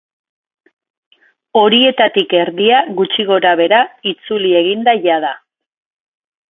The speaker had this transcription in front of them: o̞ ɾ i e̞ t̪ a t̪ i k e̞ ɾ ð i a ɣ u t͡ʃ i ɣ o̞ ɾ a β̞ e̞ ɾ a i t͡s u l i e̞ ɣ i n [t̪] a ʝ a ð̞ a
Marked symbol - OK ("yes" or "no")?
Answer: no